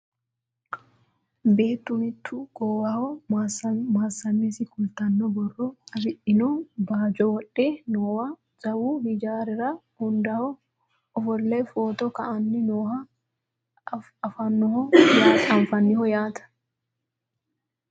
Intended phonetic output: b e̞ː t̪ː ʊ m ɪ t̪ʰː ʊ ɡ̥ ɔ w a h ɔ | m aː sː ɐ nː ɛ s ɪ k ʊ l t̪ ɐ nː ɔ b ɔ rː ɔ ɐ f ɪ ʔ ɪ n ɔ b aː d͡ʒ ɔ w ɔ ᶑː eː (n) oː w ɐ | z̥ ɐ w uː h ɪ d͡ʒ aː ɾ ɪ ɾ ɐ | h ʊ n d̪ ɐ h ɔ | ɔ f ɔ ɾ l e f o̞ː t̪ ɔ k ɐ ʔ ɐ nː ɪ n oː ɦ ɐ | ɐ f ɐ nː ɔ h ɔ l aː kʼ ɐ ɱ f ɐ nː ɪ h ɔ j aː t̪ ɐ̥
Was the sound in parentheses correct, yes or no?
yes